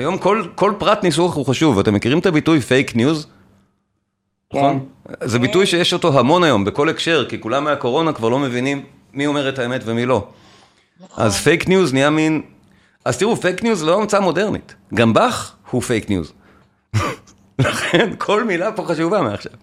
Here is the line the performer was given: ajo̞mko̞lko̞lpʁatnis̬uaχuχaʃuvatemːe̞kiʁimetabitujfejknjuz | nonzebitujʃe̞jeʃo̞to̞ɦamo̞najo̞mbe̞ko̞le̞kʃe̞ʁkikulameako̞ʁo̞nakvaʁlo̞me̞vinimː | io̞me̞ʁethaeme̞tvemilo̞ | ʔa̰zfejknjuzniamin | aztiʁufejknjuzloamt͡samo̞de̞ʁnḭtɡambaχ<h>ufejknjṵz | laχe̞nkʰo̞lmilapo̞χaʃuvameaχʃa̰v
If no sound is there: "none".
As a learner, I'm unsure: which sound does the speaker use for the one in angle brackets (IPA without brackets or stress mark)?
h